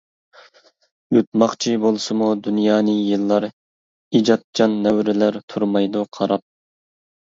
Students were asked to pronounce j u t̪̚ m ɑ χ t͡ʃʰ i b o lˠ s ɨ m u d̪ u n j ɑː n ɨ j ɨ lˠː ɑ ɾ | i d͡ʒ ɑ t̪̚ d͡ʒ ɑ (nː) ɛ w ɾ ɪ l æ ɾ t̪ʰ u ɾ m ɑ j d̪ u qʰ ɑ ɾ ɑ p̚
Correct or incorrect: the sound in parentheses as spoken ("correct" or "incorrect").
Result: correct